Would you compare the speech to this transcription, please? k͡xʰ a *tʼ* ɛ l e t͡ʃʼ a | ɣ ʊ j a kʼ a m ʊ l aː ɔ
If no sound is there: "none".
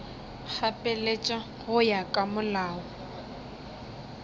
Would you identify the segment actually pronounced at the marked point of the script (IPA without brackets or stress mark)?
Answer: pʼ